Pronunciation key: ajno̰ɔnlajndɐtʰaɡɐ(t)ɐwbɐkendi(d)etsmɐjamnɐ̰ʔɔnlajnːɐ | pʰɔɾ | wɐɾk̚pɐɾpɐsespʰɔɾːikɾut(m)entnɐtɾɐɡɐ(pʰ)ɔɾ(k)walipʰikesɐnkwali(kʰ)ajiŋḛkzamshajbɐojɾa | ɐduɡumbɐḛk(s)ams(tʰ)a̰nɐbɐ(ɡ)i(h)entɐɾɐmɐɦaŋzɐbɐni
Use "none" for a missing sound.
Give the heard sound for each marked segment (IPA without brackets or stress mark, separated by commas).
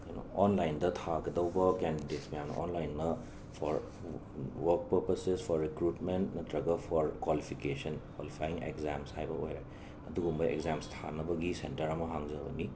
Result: d, d, m, pʰ, k, pʰ, z, tʰ, ɡ, s